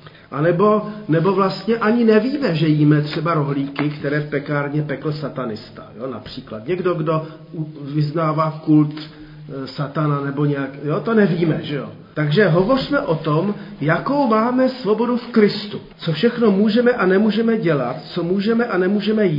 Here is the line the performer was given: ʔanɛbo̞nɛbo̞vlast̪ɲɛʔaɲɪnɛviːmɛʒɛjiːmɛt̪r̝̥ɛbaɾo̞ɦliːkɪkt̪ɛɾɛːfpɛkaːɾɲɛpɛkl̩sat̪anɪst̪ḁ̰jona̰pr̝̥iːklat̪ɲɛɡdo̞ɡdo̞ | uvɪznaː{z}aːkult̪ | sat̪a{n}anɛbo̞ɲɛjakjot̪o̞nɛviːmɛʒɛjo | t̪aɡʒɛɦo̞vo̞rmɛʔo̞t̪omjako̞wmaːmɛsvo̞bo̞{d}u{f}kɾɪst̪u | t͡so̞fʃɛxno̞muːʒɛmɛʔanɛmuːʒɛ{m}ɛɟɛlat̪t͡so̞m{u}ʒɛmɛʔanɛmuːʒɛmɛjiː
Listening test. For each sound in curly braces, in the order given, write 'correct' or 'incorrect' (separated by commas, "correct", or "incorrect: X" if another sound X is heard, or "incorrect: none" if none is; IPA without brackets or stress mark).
incorrect: v, correct, correct, correct, correct, incorrect: uː